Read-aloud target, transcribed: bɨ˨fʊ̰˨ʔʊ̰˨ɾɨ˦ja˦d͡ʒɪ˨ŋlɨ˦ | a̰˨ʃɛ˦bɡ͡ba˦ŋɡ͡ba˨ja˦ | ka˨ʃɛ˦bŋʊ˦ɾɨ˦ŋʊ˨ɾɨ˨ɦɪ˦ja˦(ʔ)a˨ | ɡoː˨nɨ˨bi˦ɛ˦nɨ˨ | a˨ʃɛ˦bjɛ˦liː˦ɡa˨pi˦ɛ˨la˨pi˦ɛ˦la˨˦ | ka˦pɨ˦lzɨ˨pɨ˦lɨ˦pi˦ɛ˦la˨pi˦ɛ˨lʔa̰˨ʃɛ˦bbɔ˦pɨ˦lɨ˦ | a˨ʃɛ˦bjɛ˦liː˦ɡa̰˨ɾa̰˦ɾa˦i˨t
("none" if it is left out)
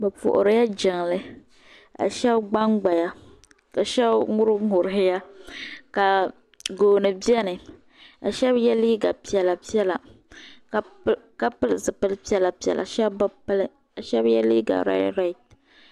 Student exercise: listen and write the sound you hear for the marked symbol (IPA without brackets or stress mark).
k